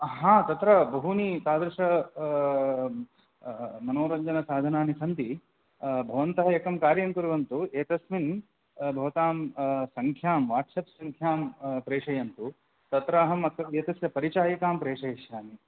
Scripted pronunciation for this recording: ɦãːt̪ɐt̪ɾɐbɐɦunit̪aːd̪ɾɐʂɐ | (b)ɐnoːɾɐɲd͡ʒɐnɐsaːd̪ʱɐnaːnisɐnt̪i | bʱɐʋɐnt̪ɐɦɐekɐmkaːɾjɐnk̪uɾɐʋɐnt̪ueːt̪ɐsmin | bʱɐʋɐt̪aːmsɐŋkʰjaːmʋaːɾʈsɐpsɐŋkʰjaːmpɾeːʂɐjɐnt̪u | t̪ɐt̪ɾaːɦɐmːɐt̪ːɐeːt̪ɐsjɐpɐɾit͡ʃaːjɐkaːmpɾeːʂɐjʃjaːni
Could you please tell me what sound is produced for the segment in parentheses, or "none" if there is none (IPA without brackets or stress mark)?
m